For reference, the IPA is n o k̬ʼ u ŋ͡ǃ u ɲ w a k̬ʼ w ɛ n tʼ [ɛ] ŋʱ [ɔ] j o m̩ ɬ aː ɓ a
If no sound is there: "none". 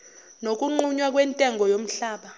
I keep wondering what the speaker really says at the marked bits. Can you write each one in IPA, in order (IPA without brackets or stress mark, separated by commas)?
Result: ɛ, ɔ